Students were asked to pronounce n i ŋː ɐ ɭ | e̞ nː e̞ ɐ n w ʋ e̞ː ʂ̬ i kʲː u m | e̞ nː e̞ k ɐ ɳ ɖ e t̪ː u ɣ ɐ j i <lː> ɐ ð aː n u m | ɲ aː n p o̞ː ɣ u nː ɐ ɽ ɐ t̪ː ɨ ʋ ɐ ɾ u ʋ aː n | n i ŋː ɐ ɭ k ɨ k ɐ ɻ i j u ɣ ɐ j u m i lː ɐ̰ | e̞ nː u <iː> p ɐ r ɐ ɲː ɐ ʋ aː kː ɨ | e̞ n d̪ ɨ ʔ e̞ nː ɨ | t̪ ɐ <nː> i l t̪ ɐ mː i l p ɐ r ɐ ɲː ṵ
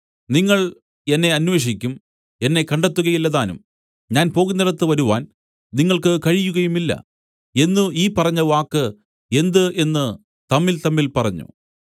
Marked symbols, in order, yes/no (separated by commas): yes, yes, no